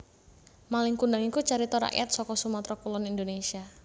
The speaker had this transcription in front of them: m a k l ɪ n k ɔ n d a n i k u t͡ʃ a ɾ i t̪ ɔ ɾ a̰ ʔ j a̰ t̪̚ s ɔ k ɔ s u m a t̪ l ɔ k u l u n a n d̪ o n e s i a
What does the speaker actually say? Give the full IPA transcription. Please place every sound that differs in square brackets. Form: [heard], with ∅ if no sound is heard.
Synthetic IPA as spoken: m a [∅] l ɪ [ŋ] k [u] n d a [ŋ] i k u t͡ʃ a ɾ i t̪ ɔ ɾ a̰ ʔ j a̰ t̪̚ s ɔ k ɔ s u m a t̪ [ɾ] ɔ k u l [ɔ] n [i] n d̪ o n e s i a